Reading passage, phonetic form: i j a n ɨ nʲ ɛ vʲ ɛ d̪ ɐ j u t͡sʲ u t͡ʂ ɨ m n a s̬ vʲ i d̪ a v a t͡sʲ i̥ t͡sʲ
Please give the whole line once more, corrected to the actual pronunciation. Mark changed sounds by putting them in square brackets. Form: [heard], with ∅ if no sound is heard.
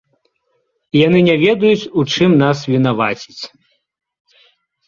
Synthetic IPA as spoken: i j a n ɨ nʲ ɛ vʲ ɛ d̪ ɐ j u t͡sʲ u t͡ʂ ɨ m n a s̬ vʲ i [n̪] a v a t͡sʲ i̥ t͡sʲ